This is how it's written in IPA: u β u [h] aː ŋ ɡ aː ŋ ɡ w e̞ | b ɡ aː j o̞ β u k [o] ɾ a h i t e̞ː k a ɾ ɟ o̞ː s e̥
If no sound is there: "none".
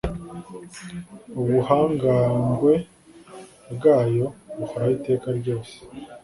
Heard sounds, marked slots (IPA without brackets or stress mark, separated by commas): h, o